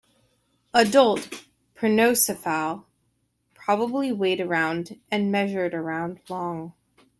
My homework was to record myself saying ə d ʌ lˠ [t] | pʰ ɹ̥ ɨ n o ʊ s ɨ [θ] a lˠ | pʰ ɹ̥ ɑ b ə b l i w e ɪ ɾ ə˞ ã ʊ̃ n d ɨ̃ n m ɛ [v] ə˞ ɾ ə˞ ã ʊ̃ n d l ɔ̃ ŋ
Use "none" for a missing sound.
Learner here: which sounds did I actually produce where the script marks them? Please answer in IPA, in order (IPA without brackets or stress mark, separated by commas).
t, f, ʒ